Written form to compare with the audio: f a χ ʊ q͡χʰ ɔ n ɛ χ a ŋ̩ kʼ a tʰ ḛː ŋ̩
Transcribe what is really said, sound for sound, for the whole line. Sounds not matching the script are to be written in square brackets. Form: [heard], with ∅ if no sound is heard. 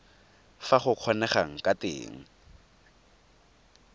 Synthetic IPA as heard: f a χ ʊ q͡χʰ ɔ n ɛ χ a ŋ̩ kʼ a [t] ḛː ŋ̩